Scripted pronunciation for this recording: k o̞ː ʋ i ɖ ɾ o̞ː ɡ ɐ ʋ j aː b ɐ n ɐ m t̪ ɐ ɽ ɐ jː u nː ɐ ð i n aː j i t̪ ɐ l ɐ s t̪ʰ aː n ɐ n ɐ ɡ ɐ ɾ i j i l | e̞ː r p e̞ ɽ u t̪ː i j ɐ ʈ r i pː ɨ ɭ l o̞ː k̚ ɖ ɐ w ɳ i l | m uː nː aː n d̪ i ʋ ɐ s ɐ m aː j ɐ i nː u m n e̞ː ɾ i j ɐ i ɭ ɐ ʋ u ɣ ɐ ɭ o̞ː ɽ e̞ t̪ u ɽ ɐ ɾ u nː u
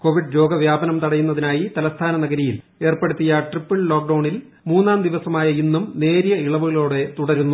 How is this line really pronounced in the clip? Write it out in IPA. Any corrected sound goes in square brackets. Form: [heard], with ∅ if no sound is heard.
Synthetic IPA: k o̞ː ʋ i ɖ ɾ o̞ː ɡ ɐ ʋ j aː b ɐ n ɐ m t̪ ɐ ɽ ɐ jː u nː ɐ ð i n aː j i t̪ ɐ l ɐ s t̪ʰ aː n ɐ n ɐ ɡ ɐ ɾ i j i l | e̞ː r p e̞ ɽ u t̪ː i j ɐ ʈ r i pː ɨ ɭ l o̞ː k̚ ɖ ɐ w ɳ i l | m uː nː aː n d̪ i ʋ ɐ s ɐ m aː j ɐ i nː u m n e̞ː ɾ i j ɐ i ɭ ɐ ʋ u ɣ ɐ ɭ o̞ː ɽ e̞ t̪ u ɽ ɐ ɾ u nː u